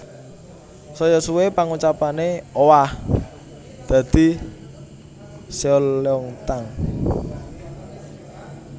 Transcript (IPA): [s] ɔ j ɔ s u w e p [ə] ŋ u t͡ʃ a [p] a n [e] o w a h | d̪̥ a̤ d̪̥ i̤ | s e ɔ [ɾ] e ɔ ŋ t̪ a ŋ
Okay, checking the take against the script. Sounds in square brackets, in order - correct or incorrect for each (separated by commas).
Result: correct, incorrect, correct, correct, incorrect